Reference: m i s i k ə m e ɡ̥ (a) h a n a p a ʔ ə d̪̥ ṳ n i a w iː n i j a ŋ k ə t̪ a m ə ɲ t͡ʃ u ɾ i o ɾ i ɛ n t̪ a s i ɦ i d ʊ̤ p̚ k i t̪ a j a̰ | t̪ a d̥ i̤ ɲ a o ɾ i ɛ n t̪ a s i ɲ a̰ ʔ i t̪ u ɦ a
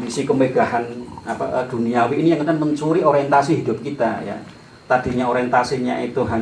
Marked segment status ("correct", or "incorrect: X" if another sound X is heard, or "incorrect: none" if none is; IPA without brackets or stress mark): correct